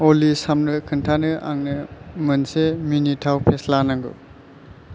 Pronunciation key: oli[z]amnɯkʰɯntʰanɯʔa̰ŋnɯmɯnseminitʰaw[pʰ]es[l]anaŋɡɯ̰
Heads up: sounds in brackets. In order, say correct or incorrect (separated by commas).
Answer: incorrect, correct, correct